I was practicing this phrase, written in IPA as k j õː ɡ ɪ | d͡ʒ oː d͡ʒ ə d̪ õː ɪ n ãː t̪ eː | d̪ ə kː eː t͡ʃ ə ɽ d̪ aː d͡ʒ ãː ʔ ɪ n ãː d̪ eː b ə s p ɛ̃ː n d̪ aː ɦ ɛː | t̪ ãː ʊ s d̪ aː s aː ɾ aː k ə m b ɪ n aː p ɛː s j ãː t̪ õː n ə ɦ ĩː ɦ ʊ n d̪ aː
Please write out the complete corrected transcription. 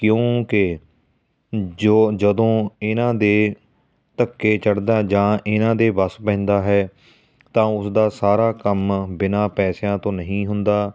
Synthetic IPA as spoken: k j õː k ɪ | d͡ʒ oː d͡ʒ ə d̪ õː ɪ n ãː d̪ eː | t̪ ə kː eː t͡ʃ ə ɽ d̪ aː d͡ʒ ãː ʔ ɪ n ãː d̪ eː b ə s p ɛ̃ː n d̪ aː ɦ ɛː | t̪ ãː ʊ s d̪ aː s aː ɾ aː k ə m b ɪ n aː p ɛː s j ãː t̪ õː n ə ɦ ĩː ɦ ʊ n d̪ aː